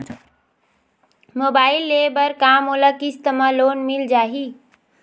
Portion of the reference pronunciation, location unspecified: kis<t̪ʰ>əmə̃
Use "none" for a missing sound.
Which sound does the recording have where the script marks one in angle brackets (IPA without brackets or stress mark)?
t̪